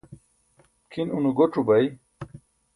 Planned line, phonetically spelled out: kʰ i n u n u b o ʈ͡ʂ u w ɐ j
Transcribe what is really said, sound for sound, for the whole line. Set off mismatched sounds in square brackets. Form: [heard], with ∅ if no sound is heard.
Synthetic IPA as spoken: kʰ i n u n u [ɡ] o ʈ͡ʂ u [b] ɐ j